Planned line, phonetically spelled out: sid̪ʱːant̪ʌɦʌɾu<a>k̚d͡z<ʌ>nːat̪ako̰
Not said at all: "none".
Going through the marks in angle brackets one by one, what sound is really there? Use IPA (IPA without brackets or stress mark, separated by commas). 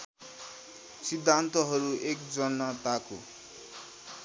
e, ʌ